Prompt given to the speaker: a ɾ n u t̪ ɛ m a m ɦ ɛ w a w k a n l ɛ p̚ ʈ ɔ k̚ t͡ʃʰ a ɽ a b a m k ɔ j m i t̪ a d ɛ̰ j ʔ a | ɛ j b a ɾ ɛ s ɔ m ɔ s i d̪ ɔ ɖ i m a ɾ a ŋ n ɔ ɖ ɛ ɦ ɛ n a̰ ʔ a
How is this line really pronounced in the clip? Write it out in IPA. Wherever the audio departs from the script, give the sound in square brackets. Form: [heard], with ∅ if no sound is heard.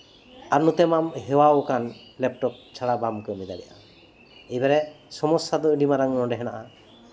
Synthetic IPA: a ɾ n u t̪ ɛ m a m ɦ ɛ w a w k a n l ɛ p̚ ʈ ɔ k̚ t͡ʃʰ a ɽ a b a m k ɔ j m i [d̪] a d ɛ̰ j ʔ a | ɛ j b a ɾ ɛ s ɔ m ɔ s [a] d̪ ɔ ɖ i m a ɾ a ŋ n ɔ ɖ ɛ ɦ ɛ n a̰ ʔ a